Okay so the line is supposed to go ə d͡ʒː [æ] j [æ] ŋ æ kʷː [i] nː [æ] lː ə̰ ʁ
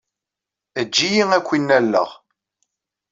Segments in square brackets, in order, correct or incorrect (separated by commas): incorrect, incorrect, correct, correct